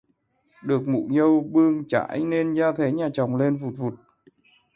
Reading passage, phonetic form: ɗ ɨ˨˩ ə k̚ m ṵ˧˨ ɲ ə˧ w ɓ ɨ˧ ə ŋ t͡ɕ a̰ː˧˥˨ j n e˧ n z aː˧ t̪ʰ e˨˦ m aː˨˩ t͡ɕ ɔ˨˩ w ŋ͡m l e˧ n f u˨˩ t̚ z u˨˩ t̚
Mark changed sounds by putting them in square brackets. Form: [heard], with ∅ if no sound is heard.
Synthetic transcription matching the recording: ɗ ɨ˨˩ ə k̚ m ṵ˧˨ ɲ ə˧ w ɓ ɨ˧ ə ŋ t͡ɕ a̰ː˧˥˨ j n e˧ n z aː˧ t̪ʰ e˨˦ [ɲ] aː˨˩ t͡ɕ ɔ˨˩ w ŋ͡m l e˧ n [v] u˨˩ t̚ [v] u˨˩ t̚